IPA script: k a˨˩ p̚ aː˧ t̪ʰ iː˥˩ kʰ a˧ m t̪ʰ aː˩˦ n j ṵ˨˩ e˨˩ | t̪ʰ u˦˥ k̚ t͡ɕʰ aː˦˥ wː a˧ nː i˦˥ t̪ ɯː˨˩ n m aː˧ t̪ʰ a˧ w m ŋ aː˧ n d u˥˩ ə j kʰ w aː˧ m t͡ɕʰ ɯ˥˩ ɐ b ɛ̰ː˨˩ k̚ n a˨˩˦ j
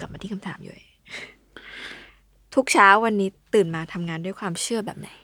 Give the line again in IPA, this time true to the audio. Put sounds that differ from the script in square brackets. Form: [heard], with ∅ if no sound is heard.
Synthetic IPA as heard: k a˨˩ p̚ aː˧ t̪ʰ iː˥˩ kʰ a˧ m t̪ʰ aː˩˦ [m] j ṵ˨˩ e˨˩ | t̪ʰ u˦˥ k̚ t͡ɕʰ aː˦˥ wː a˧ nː [iː˦˥] t̪ ɯː˨˩ n m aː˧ t̪ʰ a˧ [∅] m ŋ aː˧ n d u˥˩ ə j kʰ w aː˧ m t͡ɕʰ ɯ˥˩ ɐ b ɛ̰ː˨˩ [p̚] n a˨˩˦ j